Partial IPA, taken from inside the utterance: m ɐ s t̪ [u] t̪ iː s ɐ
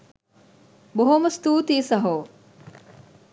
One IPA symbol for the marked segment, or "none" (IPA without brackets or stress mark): uː